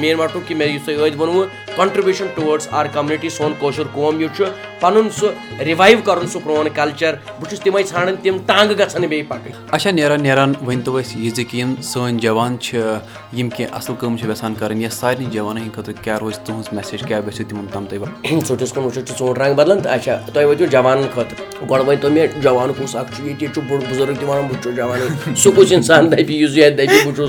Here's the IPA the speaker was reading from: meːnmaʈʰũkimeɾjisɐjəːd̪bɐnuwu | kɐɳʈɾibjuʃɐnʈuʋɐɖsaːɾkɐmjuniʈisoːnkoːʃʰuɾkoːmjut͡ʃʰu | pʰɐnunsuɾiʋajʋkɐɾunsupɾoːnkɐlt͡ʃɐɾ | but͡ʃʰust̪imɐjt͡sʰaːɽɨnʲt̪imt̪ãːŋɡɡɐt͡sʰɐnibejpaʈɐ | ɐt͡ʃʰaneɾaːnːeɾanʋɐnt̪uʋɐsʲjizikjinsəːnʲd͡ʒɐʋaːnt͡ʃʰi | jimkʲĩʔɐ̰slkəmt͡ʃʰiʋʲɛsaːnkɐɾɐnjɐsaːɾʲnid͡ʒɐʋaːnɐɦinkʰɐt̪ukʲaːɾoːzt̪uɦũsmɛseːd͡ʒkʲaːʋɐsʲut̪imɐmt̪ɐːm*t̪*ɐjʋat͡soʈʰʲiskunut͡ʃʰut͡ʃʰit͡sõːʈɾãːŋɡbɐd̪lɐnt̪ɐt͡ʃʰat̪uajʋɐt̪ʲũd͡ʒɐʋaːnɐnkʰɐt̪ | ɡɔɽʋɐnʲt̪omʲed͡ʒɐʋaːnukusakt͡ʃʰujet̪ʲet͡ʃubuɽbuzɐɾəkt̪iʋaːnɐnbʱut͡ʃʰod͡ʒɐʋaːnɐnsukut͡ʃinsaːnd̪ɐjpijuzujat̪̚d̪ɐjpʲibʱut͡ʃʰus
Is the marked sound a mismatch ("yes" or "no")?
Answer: no